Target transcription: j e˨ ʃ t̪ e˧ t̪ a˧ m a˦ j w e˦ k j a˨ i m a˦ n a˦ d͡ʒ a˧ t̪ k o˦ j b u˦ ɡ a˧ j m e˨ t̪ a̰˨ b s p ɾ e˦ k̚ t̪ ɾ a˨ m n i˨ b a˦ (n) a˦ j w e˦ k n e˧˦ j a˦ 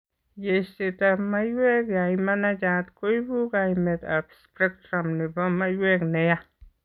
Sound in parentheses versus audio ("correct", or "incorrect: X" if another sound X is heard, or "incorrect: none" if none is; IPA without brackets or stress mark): incorrect: m